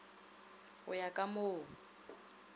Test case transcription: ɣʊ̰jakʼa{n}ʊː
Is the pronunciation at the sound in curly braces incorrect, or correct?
incorrect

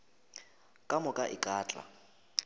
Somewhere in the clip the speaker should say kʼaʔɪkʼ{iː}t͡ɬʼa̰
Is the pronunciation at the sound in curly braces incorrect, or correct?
incorrect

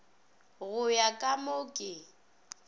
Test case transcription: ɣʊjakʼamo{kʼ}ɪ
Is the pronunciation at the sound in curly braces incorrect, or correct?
correct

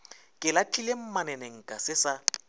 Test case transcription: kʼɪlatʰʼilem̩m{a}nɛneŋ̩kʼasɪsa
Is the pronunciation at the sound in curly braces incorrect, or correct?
correct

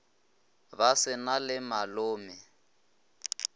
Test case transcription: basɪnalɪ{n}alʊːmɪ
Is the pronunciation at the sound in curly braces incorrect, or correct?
incorrect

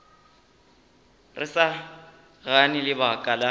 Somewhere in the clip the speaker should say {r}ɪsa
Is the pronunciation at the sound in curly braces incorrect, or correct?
correct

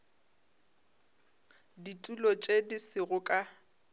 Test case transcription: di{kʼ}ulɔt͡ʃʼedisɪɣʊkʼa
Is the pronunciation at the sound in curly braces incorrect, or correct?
incorrect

